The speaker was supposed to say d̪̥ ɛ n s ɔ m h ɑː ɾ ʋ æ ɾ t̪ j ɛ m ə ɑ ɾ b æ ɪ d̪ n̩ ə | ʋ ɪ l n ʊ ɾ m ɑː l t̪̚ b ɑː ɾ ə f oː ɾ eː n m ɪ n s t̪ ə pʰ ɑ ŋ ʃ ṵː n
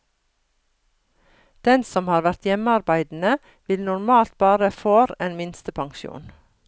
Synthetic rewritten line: d̪̥ ɛ n s ɔ m h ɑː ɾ ʋ æ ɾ t̪ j ɛ m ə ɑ ɾ b æ ɪ d̪ n̩ ə | ʋ ɪ l n ʊ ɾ m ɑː l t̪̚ b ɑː ɾ ə f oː ɾ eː n m ɪ n s t̪ ə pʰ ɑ ŋ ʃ ṵː n